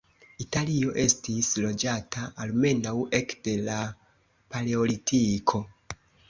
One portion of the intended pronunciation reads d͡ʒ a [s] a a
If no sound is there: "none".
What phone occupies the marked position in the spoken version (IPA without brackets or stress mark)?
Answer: t